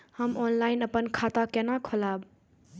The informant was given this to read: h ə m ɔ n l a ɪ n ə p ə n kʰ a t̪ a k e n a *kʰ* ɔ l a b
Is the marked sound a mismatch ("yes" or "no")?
no